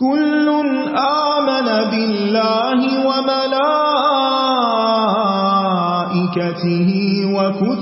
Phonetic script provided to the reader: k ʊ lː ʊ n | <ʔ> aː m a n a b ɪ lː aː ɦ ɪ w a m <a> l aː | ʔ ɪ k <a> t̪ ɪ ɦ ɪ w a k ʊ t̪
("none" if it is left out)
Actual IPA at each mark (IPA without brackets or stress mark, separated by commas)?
ʔ, a, a